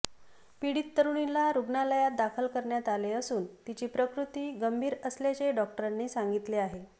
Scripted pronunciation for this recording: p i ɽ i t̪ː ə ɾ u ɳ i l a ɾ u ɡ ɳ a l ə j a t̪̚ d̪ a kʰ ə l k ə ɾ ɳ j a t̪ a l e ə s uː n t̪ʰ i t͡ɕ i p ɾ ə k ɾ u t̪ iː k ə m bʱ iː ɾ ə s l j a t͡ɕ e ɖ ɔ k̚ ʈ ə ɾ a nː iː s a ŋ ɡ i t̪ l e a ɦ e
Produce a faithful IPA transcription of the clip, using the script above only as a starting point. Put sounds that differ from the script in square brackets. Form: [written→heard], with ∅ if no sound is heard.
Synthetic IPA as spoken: p i ɽ i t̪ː ə ɾ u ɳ i l a ɾ u ɡ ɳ a l ə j a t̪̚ d̪ a kʰ ə l k ə ɾ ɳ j a t̪ a l e ə s uː n [t̪ʰ→t̪] i t͡ɕ [i→iː] p ɾ ə k ɾ u t̪ iː [k→ɡ] ə m bʱ iː ɾ ə s l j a t͡ɕ e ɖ ɔ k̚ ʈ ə ɾ a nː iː s a ŋ ɡ i t̪ l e a ɦ e